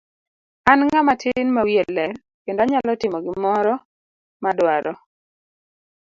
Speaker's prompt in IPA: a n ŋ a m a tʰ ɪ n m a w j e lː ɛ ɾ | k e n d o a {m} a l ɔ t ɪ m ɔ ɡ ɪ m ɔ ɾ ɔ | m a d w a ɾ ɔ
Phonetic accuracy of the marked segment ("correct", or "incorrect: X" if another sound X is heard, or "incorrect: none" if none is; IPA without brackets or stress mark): incorrect: ɲ